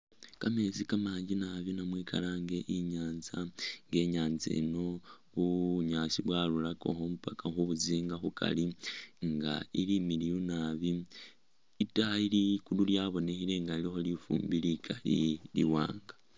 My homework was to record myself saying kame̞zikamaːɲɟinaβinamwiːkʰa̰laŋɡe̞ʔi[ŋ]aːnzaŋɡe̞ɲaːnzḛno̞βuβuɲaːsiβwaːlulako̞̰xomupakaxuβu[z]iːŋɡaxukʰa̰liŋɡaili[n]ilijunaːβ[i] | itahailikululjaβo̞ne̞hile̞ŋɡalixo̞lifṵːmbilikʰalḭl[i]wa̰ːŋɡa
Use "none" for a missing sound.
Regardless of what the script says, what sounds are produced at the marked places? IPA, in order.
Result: ɲ, z, m, i, i

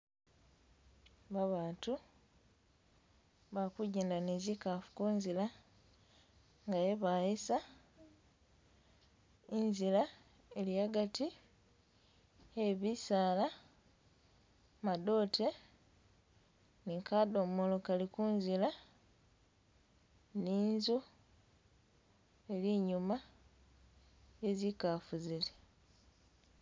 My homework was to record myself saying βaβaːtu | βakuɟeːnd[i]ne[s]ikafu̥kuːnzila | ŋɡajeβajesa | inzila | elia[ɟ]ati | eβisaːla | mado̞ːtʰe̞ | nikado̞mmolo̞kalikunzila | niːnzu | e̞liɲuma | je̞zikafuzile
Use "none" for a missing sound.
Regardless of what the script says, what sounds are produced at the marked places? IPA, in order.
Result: a, z, ɡ

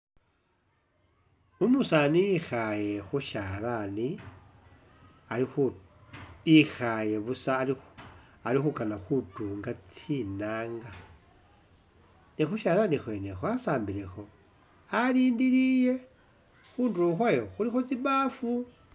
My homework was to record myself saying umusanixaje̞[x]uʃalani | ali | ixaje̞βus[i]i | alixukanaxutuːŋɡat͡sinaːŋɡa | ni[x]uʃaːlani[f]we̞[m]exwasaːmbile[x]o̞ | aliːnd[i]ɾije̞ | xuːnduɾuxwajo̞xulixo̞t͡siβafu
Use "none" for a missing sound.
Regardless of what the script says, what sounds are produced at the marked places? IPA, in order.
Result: x, a, x, x, n, x, i

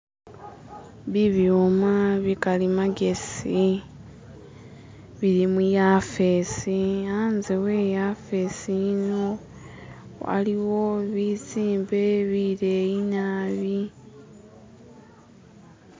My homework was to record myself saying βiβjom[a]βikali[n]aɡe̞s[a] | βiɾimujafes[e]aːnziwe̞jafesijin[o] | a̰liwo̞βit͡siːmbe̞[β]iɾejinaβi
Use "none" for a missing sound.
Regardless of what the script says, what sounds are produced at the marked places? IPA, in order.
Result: a, m, i, i, o, β

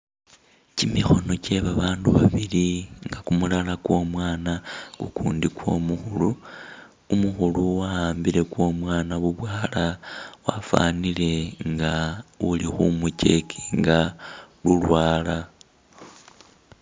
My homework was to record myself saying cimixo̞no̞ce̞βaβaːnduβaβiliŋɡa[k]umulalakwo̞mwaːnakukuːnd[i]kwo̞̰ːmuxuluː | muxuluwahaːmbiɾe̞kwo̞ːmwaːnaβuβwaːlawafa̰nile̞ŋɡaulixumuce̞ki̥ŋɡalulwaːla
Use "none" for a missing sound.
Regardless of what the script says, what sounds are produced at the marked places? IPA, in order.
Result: k, i

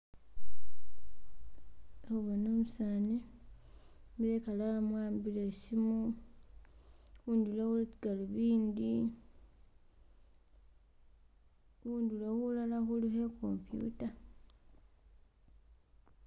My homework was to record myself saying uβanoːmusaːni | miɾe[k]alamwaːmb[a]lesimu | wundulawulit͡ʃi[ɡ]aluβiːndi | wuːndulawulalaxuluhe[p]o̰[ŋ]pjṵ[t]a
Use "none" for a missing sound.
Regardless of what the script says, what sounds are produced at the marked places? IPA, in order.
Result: k, i, ɡ, k, m, t

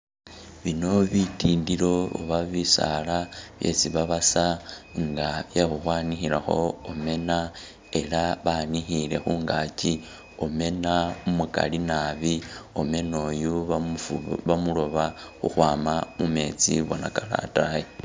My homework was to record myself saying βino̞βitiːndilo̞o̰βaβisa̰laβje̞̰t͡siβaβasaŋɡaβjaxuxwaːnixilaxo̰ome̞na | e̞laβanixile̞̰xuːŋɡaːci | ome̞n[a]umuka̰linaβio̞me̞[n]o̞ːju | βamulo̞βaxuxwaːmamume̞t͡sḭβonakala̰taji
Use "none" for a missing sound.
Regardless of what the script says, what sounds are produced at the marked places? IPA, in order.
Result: a, n

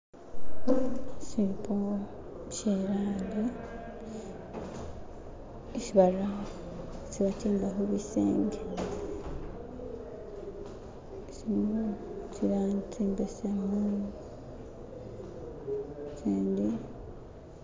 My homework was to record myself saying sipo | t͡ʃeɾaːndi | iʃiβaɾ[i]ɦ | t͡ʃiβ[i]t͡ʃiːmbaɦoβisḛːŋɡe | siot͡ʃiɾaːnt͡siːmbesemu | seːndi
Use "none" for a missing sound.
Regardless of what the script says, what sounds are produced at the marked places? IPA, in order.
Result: a, a

